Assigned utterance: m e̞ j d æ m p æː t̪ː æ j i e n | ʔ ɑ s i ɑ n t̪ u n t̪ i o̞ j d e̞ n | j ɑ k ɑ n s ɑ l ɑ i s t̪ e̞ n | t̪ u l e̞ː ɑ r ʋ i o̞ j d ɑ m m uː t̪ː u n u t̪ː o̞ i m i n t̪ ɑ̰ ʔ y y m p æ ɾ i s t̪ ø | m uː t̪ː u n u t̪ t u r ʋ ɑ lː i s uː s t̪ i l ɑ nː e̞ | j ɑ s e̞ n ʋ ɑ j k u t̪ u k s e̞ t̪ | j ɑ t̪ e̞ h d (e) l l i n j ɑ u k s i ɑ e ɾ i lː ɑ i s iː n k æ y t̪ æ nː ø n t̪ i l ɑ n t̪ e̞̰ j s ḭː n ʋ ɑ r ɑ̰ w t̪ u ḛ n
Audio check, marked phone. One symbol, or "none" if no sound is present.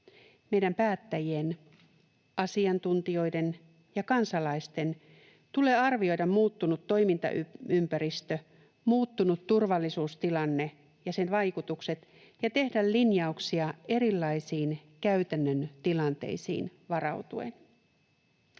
æ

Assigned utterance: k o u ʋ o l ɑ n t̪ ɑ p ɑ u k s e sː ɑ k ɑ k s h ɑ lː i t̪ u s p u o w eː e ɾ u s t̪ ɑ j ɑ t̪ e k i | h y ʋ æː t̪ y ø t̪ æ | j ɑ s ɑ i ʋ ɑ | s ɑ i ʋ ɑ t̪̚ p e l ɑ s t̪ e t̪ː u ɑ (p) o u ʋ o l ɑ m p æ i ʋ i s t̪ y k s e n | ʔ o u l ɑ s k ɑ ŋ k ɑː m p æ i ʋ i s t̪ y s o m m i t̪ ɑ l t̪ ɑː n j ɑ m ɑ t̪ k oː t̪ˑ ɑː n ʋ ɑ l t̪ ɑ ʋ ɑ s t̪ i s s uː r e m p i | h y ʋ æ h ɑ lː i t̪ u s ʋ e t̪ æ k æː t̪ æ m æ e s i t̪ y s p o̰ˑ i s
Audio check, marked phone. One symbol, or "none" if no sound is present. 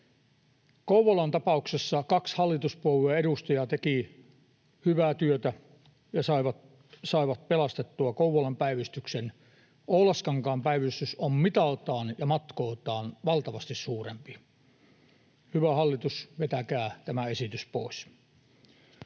k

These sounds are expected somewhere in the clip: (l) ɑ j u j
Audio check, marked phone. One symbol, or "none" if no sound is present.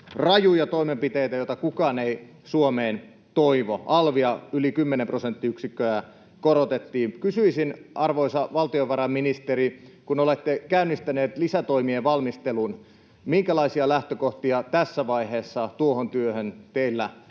r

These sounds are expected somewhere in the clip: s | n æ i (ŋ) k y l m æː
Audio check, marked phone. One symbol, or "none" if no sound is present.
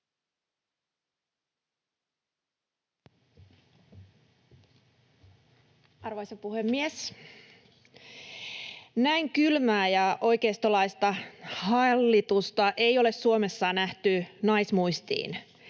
ŋ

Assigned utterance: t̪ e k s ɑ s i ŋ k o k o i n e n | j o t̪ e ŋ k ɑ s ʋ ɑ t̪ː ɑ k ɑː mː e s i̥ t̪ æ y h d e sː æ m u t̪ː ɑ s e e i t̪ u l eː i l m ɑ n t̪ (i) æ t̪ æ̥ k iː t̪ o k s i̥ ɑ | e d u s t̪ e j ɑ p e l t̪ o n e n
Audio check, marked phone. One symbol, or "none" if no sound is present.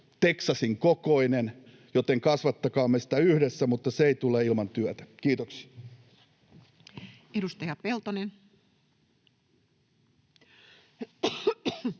y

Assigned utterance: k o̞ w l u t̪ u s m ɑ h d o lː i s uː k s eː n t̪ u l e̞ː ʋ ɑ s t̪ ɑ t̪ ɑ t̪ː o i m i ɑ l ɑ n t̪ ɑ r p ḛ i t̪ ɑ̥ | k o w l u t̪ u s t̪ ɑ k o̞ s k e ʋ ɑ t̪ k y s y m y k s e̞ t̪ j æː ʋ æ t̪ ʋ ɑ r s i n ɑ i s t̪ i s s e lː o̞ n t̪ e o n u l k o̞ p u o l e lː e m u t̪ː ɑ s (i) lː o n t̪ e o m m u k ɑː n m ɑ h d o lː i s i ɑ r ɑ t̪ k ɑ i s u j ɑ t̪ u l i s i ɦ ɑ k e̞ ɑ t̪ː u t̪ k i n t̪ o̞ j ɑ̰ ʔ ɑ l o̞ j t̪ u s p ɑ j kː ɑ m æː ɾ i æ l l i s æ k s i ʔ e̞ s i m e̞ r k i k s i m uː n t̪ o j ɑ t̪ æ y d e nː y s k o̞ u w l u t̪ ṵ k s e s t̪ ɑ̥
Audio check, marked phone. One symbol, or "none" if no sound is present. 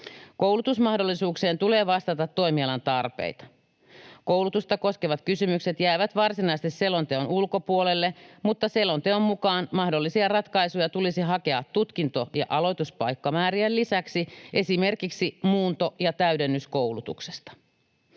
e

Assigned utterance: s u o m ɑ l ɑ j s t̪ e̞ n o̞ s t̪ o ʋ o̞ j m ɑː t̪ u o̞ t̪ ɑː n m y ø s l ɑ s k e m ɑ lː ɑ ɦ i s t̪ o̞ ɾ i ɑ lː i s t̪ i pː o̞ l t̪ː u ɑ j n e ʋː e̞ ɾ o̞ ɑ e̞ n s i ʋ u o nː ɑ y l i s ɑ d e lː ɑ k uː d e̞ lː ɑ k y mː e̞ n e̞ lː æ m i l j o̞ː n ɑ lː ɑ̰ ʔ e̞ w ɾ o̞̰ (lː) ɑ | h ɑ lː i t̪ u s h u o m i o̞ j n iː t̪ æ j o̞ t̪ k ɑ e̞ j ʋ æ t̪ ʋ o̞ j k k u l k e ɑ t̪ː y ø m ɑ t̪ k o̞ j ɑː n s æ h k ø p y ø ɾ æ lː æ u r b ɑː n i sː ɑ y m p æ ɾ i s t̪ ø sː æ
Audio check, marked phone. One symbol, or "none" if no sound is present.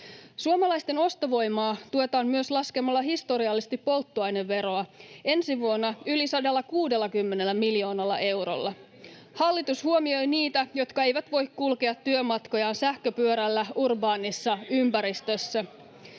lː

